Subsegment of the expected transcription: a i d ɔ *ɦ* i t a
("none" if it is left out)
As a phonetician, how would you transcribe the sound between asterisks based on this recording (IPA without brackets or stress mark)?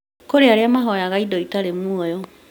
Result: none